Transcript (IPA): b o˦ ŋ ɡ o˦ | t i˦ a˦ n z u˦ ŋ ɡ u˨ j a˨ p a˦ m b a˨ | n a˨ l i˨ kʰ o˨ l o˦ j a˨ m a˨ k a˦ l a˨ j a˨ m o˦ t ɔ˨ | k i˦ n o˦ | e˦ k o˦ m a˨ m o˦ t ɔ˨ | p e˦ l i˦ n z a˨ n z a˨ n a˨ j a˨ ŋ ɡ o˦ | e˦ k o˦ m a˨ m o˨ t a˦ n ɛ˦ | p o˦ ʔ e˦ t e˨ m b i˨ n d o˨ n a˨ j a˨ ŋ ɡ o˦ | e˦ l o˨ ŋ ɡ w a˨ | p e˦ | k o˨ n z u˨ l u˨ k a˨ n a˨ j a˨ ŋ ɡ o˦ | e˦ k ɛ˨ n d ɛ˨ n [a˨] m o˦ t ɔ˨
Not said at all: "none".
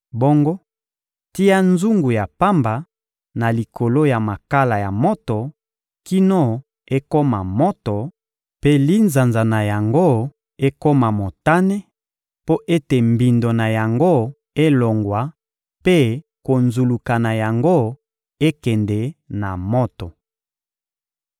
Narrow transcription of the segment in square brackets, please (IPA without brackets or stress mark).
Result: a˨